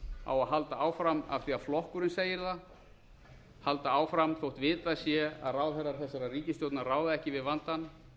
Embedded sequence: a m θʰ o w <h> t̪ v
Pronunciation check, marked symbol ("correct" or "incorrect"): correct